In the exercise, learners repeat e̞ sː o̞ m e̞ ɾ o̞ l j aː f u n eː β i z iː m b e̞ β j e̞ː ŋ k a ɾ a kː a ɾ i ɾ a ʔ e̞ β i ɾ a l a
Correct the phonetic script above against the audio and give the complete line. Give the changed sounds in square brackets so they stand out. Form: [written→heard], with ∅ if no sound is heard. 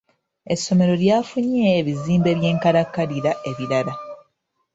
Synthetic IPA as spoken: e̞ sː o̞ m e̞ ɾ o̞ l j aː f u [n→ɲ] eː β i z iː m b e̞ β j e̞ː ŋ k a ɾ a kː a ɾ i ɾ a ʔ e̞ β i ɾ a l a